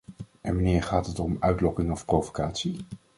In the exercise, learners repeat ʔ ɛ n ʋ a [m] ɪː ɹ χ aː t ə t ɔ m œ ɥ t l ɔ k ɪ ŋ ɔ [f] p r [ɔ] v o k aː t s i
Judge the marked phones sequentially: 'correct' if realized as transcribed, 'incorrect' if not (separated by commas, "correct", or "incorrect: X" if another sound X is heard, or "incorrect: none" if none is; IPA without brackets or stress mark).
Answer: incorrect: n, correct, incorrect: o